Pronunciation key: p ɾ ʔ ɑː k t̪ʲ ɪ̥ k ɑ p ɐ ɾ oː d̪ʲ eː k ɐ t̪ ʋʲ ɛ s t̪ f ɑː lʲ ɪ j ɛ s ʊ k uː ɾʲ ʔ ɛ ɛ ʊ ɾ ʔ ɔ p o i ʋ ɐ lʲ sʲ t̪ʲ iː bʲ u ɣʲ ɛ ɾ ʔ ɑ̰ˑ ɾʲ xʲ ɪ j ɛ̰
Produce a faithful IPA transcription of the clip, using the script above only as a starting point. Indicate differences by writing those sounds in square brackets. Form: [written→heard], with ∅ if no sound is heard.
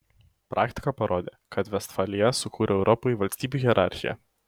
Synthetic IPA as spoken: p ɾ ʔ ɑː k t̪ʲ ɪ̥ k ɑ p ɐ ɾ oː d̪ʲ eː k ɐ t̪ ʋʲ ɛ s t̪ f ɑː lʲ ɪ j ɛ s ʊ k uː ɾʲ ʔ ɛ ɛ ʊ ɾ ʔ ɔ p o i ʋ ɐ lʲ sʲ t̪ʲ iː bʲ u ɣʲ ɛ ɾ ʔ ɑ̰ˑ ɾʲ xʲ ɪ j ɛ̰